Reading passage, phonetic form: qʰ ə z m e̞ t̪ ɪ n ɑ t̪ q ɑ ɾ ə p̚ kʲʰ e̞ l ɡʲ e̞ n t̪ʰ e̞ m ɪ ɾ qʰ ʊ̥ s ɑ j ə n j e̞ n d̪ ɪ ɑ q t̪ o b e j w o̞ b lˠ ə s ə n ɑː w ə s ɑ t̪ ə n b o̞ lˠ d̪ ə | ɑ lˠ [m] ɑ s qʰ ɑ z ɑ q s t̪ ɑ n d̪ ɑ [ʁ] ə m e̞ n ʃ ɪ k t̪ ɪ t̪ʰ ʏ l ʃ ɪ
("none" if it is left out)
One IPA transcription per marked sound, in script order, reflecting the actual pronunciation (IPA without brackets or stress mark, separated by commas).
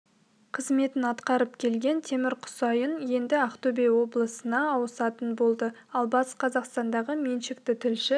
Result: b, ʁ